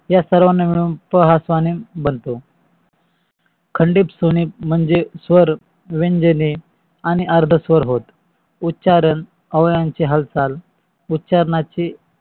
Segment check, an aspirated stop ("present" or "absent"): present